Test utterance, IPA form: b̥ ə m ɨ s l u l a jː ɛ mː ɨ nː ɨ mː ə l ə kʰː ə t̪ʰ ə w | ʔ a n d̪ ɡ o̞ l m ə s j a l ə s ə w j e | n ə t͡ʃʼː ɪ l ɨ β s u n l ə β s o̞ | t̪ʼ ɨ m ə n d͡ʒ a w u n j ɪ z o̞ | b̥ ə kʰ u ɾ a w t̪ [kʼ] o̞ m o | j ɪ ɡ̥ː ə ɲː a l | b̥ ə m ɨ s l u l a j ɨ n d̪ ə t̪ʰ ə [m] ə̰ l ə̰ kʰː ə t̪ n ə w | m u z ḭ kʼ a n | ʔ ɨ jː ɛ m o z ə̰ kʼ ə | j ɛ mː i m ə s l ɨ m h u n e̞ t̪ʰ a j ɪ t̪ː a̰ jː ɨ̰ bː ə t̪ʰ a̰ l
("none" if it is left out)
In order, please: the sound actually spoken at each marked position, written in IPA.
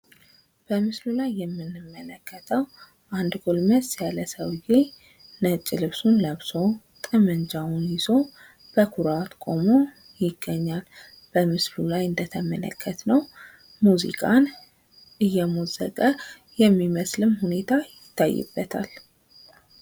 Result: kʼ, m

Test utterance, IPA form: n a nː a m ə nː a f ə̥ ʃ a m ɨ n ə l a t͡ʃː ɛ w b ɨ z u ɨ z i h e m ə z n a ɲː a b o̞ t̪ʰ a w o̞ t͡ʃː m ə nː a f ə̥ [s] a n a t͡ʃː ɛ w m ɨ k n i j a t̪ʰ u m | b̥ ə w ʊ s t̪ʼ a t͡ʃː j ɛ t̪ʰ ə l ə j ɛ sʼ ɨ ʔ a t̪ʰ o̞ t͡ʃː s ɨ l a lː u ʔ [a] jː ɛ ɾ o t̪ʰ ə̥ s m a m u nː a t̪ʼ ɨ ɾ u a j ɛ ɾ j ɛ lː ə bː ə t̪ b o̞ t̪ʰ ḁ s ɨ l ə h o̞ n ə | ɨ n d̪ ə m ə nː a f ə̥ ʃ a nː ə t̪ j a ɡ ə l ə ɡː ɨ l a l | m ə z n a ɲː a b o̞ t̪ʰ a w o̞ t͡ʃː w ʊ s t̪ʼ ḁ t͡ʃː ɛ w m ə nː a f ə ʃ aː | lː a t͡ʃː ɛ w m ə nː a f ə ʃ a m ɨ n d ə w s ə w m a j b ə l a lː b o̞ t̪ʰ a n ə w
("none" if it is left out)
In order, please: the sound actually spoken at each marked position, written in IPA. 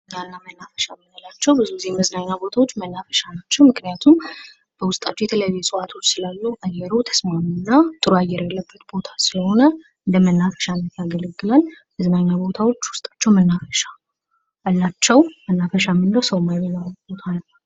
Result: ʃ, a

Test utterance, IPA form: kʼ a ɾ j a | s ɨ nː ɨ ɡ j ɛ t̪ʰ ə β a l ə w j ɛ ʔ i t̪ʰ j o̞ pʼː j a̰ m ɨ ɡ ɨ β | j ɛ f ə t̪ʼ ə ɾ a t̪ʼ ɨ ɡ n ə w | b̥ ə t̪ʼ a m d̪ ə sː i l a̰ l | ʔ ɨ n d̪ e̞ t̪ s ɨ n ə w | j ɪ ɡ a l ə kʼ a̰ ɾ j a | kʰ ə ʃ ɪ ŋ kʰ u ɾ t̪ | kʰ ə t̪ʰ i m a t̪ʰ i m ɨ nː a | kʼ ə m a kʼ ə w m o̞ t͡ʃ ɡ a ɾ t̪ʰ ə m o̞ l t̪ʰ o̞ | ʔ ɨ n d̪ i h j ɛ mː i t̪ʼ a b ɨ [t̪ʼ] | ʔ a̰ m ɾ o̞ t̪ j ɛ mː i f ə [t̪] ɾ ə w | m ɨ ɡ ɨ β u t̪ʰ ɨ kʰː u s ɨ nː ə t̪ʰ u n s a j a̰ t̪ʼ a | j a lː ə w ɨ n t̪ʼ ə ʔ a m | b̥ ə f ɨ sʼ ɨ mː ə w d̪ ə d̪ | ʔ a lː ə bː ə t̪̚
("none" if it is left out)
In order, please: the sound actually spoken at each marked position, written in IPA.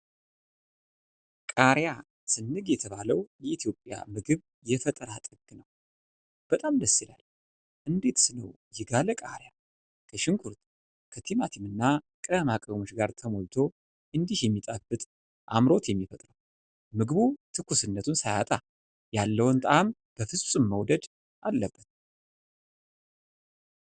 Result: t̪ʼ, t̪ʼ

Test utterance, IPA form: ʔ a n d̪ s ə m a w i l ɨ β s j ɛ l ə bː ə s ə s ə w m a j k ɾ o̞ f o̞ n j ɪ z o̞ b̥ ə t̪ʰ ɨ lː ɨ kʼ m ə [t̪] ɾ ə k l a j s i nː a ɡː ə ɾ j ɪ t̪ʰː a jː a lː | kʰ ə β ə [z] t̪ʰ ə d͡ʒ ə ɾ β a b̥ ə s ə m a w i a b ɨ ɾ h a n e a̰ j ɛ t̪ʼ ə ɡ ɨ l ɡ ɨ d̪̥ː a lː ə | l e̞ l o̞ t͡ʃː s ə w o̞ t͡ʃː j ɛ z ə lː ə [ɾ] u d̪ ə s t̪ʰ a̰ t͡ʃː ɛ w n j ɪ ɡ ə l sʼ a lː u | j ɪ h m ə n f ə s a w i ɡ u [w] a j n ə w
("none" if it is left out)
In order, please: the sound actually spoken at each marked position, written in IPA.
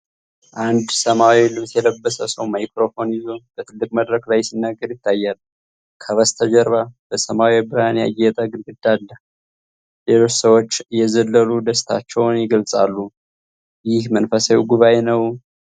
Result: d̪, s, l, β

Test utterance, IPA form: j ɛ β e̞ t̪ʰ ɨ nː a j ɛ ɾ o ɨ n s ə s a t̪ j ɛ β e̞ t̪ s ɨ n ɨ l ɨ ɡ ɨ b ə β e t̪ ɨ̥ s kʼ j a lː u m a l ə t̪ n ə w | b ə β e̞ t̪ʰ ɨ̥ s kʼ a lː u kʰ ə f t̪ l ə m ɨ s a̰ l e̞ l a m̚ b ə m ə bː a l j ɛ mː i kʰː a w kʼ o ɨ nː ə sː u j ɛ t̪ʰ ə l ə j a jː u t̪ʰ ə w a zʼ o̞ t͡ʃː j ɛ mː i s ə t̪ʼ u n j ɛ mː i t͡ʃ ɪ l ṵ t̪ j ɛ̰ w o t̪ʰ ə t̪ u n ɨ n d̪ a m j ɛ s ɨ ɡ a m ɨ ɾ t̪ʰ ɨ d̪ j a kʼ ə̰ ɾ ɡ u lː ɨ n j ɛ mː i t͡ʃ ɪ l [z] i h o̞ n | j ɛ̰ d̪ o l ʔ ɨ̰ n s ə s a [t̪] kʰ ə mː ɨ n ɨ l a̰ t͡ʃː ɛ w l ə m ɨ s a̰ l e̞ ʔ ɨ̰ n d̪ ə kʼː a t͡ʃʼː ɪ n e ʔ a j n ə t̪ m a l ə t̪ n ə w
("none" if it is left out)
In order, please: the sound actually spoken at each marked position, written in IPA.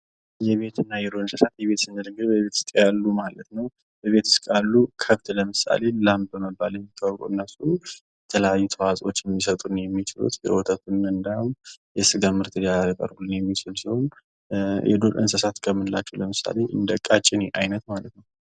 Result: s, t̪

